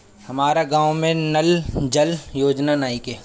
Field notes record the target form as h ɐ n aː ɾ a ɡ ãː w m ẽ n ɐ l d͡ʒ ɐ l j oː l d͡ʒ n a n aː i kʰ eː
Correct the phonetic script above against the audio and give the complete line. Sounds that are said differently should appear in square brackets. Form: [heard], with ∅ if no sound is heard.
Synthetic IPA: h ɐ [m] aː ɾ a ɡ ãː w m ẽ n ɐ l d͡ʒ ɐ l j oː [∅] d͡ʒ n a n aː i [k] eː